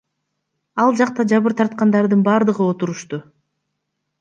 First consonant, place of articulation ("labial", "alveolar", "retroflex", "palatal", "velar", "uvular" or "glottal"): alveolar